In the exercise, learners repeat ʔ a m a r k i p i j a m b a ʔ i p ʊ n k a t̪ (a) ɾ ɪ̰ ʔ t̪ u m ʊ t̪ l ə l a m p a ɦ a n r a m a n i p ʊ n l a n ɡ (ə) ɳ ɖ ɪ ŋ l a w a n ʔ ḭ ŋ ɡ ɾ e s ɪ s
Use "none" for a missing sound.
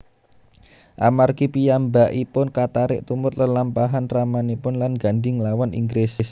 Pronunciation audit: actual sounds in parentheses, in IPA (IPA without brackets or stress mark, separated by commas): a, a